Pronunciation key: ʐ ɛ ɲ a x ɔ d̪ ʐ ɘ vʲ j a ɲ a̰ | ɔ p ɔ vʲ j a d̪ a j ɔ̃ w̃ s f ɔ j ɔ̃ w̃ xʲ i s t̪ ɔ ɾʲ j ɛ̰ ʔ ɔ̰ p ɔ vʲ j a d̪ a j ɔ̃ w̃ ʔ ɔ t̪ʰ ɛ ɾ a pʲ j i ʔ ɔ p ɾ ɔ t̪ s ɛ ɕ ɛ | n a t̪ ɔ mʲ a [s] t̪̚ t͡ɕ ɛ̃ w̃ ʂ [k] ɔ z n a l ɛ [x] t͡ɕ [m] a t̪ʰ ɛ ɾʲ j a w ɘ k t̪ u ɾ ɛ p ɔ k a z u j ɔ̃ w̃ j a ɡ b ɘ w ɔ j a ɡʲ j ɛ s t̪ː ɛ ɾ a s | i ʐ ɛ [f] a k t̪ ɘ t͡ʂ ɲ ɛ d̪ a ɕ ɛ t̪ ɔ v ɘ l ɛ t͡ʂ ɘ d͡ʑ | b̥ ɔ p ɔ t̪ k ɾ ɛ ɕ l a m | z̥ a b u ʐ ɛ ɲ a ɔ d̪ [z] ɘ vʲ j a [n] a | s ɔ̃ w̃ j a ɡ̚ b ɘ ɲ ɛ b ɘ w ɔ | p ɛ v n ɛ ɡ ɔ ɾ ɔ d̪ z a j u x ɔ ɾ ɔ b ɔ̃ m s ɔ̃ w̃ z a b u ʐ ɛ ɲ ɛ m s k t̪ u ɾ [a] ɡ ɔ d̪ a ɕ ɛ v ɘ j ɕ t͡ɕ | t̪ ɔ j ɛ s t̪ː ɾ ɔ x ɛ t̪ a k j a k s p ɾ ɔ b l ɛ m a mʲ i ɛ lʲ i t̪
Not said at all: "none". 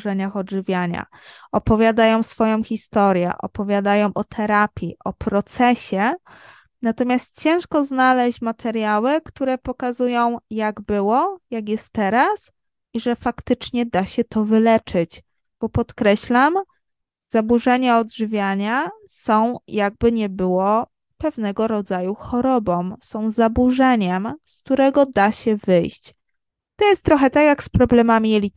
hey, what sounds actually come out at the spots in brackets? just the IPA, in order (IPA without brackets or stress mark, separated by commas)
s, k, ɕ, m, f, ʐ, ɲ, ɛ